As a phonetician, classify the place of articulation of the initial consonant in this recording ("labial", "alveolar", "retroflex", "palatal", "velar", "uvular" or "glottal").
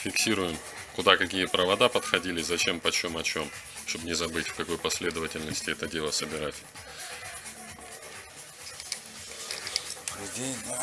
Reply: labial